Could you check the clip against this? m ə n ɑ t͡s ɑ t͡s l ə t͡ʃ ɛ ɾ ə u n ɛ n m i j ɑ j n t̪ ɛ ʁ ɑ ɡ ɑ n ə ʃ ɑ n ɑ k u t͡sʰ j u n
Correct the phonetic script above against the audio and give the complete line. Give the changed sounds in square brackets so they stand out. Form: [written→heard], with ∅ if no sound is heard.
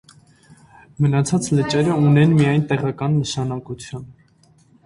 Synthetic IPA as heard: m ə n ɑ [t͡s→t͡sʰ] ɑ t͡s l ə t͡ʃ ɛ ɾ ə u n ɛ n m i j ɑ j n t̪ ɛ ʁ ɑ [ɡ→k] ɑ [n→nː] ə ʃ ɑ n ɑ k u t͡sʰ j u n